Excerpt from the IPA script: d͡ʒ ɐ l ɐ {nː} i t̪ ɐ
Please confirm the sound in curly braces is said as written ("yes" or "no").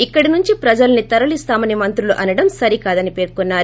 no